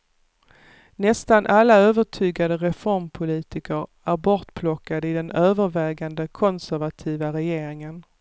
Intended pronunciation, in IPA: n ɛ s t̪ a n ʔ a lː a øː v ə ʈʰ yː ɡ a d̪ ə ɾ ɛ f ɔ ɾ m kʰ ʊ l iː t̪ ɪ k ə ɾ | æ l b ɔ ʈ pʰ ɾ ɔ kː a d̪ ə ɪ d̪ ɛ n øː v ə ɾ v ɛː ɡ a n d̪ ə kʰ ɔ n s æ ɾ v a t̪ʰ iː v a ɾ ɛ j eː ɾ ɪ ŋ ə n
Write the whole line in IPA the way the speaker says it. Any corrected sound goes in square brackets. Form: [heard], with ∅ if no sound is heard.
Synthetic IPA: n ɛ s t̪ a n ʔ a lː a øː v ə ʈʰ yː ɡ a d̪ ə ɾ ɛ f ɔ ɾ m [pʰ] ʊ l iː t̪ ɪ k ə ɾ | æ [ɾ] b ɔ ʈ pʰ [l] ɔ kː a d̪ ə ɪ d̪ ɛ n øː v ə ɾ v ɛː ɡ a n d̪ ə kʰ ɔ n s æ ɾ v a t̪ʰ iː v a ɾ ɛ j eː ɾ ɪ ŋ ə n